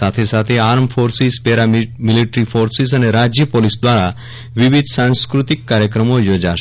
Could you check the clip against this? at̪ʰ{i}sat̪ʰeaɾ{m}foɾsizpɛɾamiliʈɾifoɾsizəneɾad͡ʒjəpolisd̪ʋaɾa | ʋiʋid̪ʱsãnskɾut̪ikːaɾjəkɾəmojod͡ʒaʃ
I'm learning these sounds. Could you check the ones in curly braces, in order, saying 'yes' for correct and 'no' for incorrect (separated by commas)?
no, yes